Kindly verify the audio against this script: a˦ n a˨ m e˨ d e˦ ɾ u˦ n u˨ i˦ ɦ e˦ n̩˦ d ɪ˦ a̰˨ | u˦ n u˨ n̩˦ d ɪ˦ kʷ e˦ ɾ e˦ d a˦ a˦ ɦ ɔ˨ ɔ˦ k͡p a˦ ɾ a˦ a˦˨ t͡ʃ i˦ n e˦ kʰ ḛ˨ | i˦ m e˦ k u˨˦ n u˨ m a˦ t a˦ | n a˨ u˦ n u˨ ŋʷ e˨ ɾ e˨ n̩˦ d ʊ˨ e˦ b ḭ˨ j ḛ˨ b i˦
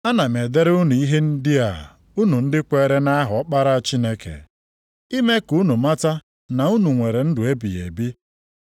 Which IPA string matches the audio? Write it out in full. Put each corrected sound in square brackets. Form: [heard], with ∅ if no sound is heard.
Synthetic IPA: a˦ n a˨ m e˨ d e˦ ɾ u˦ n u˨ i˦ ɦ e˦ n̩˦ d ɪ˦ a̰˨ | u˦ n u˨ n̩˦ d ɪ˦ kʷ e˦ ɾ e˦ [n] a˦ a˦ ɦ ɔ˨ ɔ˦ k͡p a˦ ɾ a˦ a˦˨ t͡ʃ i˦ n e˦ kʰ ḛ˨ | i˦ m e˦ k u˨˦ n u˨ m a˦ t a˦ | n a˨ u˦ n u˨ ŋʷ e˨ ɾ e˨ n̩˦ d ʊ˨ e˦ b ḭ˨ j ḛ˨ b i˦